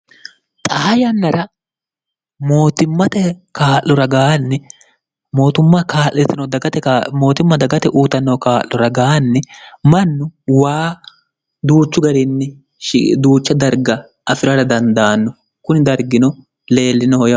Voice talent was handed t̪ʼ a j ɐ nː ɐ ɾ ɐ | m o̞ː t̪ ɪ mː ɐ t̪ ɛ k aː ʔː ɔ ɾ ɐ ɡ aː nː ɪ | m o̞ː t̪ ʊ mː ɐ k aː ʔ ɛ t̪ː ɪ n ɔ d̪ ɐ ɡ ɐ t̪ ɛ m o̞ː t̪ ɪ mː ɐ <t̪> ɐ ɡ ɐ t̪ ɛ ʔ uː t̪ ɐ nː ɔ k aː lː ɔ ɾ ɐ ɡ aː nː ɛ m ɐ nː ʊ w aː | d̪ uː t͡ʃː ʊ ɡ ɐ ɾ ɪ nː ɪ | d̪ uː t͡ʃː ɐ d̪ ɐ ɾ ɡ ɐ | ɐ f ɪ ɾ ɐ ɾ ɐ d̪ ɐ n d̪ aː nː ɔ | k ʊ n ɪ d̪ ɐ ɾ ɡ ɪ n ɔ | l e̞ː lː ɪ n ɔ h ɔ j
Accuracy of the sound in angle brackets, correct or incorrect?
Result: incorrect: d̪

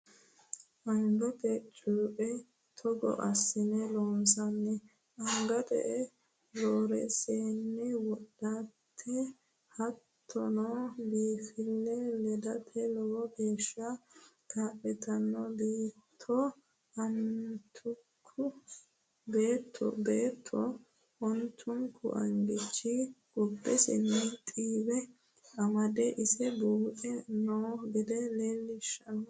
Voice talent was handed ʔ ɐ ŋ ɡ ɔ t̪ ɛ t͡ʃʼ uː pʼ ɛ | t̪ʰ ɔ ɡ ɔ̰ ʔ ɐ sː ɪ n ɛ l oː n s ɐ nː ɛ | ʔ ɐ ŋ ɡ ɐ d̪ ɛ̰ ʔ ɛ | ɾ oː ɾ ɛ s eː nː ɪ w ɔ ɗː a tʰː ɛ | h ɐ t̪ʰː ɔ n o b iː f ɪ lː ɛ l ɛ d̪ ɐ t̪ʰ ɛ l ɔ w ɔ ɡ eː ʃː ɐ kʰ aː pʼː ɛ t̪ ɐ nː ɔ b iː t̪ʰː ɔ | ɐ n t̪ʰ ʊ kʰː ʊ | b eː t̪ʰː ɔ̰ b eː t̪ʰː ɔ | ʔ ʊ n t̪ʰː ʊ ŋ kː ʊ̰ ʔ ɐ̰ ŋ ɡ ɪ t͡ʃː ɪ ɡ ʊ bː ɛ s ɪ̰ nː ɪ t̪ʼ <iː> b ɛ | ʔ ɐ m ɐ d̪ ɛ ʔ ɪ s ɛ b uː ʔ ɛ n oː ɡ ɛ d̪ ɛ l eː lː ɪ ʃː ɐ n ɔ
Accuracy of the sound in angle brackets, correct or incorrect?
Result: correct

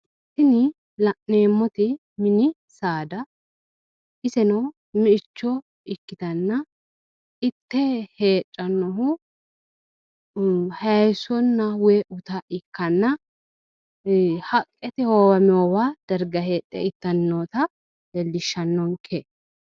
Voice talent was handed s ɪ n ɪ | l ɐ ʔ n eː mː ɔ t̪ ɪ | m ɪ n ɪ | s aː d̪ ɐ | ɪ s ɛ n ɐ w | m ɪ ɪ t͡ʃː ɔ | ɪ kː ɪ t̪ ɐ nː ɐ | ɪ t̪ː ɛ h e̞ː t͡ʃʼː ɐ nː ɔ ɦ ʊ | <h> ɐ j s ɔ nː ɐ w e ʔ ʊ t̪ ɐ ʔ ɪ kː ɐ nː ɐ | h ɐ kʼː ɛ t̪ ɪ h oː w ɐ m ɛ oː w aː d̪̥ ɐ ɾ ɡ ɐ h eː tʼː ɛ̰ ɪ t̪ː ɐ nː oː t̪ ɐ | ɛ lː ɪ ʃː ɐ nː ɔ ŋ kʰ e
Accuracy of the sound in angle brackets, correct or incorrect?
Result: correct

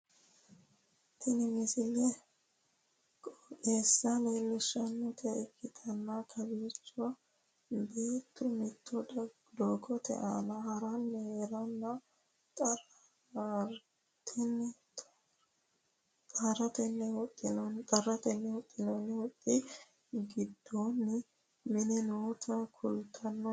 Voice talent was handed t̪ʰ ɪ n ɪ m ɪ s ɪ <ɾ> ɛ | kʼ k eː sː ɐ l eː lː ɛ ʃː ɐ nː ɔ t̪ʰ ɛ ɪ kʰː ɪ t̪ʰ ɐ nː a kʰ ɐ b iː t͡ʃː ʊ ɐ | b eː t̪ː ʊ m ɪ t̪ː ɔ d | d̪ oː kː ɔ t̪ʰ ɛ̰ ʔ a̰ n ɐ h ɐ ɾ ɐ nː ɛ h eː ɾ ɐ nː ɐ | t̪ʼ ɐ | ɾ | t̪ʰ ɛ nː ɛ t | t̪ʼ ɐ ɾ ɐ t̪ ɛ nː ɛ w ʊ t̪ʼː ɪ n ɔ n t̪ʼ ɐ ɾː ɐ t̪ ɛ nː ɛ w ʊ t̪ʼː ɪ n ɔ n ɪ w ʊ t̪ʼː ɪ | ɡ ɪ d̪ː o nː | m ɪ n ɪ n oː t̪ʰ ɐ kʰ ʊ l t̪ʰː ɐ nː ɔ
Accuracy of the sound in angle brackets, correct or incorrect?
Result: incorrect: l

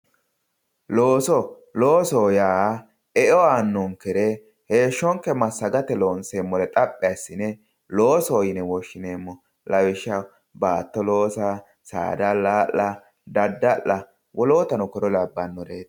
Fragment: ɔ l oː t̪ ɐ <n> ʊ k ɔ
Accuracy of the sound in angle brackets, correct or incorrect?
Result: correct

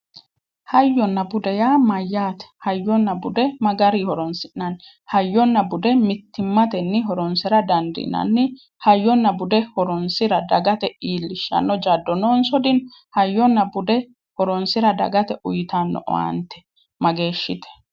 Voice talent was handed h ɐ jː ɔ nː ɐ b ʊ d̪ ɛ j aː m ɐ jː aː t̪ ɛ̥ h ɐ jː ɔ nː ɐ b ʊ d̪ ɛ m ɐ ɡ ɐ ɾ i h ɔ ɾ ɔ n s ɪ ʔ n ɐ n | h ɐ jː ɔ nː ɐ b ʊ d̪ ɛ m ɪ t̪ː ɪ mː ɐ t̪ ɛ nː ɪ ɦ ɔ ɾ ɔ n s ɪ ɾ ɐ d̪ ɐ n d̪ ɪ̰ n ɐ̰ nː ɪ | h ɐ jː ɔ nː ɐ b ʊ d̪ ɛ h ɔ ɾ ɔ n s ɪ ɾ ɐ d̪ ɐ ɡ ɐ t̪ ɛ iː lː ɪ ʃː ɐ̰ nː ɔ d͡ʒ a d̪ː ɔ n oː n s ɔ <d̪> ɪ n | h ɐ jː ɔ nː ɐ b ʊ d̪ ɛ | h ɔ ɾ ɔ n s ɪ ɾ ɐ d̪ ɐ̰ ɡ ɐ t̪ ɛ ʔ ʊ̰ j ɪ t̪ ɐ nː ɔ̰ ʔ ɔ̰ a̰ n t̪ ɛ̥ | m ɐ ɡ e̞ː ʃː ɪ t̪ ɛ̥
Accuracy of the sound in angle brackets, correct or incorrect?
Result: correct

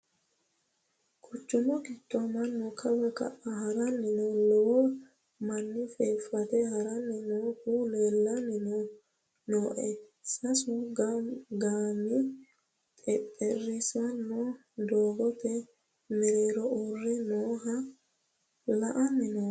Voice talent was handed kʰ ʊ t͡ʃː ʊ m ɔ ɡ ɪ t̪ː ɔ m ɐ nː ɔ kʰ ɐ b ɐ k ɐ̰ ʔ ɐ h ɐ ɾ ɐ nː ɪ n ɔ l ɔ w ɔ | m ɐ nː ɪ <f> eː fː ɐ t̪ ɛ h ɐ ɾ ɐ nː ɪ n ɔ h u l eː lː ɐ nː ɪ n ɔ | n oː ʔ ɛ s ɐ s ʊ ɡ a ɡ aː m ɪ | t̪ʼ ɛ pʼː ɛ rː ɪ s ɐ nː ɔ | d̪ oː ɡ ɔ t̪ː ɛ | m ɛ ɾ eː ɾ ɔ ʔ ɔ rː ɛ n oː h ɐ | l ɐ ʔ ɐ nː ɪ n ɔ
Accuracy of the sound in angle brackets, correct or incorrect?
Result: correct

